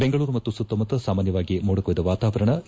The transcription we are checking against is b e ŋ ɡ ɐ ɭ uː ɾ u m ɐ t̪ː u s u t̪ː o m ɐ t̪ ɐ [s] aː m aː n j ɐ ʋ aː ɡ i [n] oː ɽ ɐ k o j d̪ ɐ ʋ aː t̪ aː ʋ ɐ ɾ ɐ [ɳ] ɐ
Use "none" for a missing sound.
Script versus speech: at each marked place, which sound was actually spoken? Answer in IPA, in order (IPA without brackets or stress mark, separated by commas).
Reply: s, m, ɳ